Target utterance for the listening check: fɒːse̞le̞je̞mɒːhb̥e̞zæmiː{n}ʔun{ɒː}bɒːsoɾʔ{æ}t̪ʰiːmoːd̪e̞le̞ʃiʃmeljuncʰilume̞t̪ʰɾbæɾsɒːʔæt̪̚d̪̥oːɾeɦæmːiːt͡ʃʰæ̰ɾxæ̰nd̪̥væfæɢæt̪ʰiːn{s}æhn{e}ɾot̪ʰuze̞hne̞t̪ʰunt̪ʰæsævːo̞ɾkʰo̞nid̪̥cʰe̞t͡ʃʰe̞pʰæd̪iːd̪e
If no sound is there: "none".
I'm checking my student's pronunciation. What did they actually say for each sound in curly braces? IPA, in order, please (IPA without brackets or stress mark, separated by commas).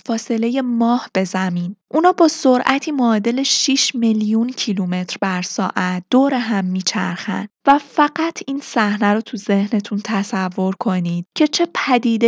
n, ɒː, æ, s, æ